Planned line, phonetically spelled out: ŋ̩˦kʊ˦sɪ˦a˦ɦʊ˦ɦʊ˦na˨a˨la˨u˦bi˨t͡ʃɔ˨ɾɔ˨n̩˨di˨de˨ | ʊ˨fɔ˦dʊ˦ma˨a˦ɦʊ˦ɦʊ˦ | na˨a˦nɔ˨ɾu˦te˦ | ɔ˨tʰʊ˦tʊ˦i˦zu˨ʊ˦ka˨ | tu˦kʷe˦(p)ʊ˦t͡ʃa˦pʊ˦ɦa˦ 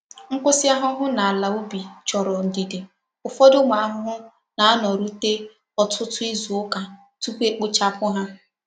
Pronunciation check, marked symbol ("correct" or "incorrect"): incorrect